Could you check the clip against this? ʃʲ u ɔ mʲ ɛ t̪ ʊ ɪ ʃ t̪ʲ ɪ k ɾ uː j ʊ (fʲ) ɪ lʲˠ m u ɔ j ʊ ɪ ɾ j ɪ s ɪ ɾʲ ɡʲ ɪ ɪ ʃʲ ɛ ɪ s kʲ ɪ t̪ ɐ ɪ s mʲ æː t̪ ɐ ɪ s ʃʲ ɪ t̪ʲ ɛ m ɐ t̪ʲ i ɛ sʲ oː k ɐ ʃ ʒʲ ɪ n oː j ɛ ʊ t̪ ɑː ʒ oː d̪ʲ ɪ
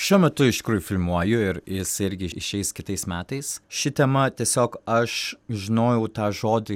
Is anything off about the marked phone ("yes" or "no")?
no